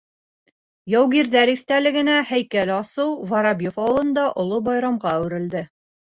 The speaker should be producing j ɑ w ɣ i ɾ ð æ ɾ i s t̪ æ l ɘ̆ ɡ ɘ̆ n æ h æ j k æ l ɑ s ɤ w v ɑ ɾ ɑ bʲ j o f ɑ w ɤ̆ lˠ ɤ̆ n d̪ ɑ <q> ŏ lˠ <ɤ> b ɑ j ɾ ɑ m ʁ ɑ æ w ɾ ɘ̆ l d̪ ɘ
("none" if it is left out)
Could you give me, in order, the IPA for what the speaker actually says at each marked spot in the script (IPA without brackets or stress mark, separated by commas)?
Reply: ʔ, o